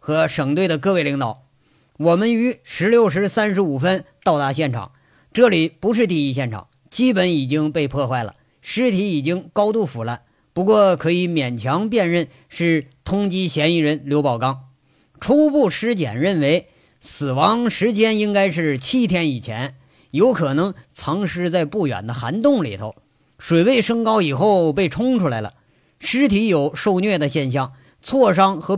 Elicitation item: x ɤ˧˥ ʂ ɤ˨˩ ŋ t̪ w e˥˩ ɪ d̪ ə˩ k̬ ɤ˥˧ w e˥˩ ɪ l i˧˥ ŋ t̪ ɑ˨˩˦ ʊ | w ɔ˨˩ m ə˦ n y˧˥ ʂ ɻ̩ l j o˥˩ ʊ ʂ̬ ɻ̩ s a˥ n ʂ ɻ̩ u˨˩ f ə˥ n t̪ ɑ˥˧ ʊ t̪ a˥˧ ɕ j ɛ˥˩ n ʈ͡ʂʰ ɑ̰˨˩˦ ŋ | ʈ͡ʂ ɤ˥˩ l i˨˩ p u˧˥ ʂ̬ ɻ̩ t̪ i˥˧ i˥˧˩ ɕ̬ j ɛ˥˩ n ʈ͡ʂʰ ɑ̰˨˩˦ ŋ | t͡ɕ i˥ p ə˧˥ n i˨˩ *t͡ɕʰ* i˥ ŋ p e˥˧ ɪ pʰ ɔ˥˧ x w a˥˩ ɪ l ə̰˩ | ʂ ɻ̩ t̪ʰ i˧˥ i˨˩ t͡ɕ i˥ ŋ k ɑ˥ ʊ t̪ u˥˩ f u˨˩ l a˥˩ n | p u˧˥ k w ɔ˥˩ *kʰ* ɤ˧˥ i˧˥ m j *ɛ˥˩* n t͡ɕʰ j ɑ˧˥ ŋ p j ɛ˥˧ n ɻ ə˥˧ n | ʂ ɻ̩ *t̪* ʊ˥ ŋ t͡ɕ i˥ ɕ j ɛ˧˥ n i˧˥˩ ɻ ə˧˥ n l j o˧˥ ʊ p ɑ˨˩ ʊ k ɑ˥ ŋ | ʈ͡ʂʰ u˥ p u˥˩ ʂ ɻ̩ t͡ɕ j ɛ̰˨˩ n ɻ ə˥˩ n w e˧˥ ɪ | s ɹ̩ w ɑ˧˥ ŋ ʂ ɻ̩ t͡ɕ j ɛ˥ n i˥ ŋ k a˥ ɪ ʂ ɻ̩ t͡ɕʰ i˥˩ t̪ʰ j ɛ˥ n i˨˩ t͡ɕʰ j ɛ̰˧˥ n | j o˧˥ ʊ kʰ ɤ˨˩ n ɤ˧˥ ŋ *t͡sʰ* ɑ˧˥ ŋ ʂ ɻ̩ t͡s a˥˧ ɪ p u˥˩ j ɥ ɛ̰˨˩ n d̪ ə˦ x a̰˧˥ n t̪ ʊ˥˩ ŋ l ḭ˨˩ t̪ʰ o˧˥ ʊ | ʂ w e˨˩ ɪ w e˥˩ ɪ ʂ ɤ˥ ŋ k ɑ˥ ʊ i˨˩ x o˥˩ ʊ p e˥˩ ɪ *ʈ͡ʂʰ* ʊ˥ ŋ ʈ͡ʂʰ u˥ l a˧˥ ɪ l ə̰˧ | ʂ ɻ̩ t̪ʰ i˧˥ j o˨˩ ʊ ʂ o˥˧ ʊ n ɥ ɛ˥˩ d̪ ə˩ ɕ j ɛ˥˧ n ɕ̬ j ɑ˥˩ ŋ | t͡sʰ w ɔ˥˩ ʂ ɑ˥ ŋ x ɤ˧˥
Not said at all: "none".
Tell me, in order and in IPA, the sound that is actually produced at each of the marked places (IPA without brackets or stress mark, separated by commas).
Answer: t͡ɕ, kʰ, ɛ˨˩, t̪ʰ, t͡sʰ, ʈ͡ʂʰ